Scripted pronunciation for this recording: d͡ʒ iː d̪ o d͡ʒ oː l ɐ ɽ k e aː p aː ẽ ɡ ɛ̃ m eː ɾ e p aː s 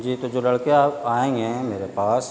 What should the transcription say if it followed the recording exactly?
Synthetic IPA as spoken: d͡ʒ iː t̪ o d͡ʒ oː l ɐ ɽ k e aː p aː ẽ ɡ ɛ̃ m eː ɾ e p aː s